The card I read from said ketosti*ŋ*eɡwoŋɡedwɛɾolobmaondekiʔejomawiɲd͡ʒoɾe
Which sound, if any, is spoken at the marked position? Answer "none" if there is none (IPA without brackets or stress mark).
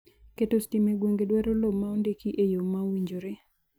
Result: m